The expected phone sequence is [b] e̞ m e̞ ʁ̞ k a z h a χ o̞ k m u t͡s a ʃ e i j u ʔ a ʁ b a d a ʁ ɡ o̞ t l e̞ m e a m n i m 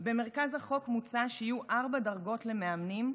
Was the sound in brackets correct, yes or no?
yes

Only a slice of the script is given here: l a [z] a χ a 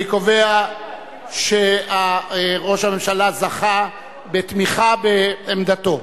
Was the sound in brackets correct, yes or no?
yes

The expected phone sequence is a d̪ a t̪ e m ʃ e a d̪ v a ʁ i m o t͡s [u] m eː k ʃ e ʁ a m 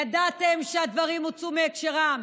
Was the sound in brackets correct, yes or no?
yes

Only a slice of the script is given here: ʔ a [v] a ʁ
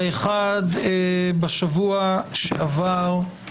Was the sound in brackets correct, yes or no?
yes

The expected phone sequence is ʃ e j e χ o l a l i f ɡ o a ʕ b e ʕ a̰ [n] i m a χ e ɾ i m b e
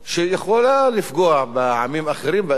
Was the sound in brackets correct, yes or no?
no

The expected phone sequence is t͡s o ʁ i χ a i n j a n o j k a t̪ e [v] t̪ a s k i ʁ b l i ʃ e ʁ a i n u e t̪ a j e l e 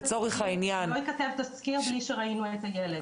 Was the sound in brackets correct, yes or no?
yes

